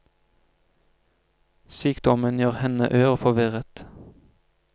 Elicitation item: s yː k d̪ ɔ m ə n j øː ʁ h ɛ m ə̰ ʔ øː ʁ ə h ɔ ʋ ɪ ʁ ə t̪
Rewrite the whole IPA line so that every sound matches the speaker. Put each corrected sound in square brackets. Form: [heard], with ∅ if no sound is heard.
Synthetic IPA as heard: s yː k d̪ ɔ m ə n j øː ʁ h ɛ [n] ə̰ ʔ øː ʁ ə [f] ɔ ʋ ɪ ʁ ə t̪